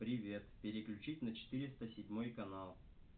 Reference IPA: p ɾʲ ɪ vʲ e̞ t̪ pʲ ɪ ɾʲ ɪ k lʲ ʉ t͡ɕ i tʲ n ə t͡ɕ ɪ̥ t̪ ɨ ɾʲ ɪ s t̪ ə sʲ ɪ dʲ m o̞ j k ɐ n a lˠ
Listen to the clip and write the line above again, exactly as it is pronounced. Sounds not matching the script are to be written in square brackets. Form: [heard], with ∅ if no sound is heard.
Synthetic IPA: p ɾʲ ɪ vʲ e̞ t̪ pʲ ɪ ɾʲ ɪ k lʲ ʉ t͡ɕ i tʲ n ə t͡ɕ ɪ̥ t̪ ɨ ɾʲ ɪ s t̪ ə sʲ ɪ dʲ m o̞ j k ɐ n a lˠ